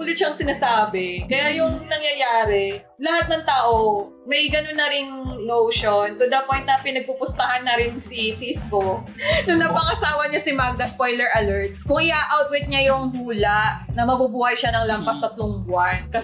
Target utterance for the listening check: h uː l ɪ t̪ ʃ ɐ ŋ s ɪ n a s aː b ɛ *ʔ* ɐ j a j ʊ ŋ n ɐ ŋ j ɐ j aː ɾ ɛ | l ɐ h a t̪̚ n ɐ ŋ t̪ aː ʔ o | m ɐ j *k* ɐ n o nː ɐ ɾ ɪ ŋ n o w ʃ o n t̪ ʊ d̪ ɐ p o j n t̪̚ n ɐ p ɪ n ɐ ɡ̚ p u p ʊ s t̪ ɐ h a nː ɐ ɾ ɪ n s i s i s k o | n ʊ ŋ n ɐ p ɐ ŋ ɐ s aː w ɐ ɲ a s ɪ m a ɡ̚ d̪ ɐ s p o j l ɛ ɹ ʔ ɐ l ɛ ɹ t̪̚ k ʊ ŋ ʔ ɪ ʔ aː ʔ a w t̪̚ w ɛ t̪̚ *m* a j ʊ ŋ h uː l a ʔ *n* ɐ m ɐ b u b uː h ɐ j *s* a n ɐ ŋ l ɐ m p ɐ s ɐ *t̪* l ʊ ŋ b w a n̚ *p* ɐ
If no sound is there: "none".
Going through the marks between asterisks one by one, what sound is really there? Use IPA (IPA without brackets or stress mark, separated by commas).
k, ɡ, ɲ, n, ʃ, t̪, k